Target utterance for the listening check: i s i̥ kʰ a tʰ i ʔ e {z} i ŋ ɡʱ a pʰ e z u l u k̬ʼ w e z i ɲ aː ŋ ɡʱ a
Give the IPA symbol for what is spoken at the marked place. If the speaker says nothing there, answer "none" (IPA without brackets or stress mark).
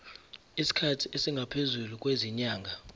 s